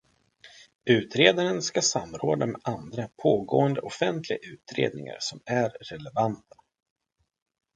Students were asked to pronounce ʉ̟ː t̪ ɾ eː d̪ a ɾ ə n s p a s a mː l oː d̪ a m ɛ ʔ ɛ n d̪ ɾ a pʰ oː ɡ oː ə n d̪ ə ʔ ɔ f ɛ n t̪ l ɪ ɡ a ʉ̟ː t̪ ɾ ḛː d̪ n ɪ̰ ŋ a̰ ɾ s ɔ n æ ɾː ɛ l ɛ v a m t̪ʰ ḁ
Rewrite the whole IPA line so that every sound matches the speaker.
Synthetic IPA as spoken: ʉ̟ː t̪ ɾ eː d̪ a ɾ ə n s k a s a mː ɾ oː d̪ a m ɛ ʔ a n d̪ ɾ a pʰ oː ɡ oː ə n d̪ ə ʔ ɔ f ɛ n t̪ l ɪ ɡ a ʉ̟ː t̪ ɾ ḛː d̪ n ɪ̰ ŋ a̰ ɾ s ɔ m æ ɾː ɛ l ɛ v a n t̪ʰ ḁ